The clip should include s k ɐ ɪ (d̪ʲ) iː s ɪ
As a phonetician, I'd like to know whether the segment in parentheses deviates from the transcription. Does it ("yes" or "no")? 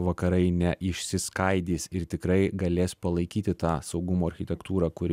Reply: no